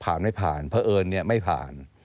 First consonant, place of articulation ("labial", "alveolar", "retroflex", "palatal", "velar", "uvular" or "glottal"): labial